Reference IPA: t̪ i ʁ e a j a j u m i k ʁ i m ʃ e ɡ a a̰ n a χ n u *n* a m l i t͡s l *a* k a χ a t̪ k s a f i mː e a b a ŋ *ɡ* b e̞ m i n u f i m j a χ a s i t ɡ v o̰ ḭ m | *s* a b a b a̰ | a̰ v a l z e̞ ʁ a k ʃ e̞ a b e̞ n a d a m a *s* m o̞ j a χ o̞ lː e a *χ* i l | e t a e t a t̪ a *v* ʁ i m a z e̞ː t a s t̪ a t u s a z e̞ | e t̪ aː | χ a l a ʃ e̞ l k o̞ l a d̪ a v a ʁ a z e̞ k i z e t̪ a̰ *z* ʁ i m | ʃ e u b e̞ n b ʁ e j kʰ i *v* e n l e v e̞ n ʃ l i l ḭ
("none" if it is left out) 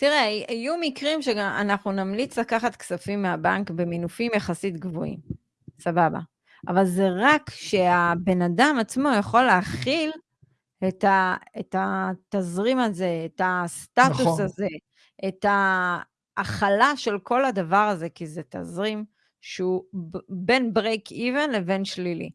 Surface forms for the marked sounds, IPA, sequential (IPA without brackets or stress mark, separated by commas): n, a, k, s, t͡s, χ, z, z, v